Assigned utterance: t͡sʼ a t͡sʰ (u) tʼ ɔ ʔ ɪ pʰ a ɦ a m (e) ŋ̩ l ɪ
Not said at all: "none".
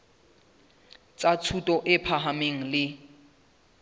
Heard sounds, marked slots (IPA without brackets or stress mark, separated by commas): u, e